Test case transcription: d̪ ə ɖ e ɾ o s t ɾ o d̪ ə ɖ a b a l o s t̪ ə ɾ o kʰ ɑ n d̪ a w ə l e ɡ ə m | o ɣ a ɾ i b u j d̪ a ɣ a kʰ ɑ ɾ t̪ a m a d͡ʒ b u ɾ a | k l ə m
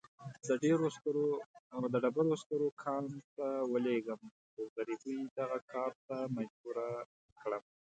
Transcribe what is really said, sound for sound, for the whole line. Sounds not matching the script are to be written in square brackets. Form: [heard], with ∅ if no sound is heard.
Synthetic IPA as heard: d̪ ə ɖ e ɾ o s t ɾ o d̪ ə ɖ a b a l o s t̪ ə ɾ o kʰ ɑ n [t̪] a w ə l e ɡ ə m | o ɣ a ɾ i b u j d̪ a ɣ a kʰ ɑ ɾ t̪ a m a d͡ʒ b u ɾ a | k [ɽ] ə m